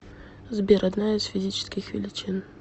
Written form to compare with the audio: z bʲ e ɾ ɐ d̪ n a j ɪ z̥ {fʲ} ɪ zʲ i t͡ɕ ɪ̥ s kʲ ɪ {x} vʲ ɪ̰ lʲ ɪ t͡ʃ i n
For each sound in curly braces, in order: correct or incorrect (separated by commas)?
correct, correct